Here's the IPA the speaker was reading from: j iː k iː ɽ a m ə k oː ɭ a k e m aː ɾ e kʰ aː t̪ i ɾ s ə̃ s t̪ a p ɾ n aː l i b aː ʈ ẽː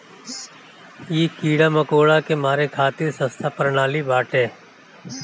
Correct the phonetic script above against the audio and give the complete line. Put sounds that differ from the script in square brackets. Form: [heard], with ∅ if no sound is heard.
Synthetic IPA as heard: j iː k iː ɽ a m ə k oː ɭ a k e m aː ɾ e kʰ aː t̪ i ɾ s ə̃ s [t̪ʰ] a p ɾ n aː l i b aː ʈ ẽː

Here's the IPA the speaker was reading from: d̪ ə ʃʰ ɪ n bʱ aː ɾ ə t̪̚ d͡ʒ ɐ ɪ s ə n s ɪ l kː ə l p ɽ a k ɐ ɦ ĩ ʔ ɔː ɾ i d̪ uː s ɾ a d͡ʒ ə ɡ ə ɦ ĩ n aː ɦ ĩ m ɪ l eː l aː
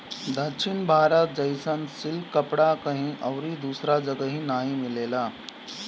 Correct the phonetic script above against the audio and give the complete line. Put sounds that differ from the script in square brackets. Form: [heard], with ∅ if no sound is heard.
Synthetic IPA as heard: d̪ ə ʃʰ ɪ n bʱ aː ɾ ə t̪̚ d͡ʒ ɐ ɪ s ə n s ɪ l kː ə [∅] p ɽ a k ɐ ɦ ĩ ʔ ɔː ɾ i d̪ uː s ɾ a d͡ʒ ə ɡ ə ɦ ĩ n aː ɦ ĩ m ɪ l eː l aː

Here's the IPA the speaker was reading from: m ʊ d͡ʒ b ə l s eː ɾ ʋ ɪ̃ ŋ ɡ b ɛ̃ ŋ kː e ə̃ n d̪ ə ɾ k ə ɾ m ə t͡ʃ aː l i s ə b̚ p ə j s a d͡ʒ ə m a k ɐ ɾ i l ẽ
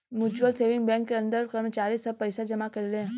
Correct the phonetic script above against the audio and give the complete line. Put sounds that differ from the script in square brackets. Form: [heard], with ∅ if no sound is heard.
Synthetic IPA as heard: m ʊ d͡ʒ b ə l s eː [∅] ʋ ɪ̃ ŋ ɡ b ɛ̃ ŋ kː e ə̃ n d̪ ə ɾ k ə ɾ m ə t͡ʃ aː [ɾ] i s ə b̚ p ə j s a d͡ʒ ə m a k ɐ ɾ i l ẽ

